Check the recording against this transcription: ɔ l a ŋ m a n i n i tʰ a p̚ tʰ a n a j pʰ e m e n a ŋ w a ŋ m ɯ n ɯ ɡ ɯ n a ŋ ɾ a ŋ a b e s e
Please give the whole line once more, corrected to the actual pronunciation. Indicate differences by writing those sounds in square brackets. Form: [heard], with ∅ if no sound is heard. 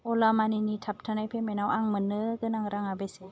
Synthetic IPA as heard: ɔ l a [∅] m a n i n i tʰ a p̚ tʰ a n a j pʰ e m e n a [∅] w a ŋ m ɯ n ɯ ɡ ɯ n a ŋ ɾ a ŋ a b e s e